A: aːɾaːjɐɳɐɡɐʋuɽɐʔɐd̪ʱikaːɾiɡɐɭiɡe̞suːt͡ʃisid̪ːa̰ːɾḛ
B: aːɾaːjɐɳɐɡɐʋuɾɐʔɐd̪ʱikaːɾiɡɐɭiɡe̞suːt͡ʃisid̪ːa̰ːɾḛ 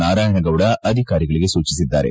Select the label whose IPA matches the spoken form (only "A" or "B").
A